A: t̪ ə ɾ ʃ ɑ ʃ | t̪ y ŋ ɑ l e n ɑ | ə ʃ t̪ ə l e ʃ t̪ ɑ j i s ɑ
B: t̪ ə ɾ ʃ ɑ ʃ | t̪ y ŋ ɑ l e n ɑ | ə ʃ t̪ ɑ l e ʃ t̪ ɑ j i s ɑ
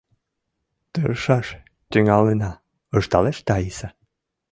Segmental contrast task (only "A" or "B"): B